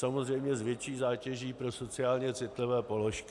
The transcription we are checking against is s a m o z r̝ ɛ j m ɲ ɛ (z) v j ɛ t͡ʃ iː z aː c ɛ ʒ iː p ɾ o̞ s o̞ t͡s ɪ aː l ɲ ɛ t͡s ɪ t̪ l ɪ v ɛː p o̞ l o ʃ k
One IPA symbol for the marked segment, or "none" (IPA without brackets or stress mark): z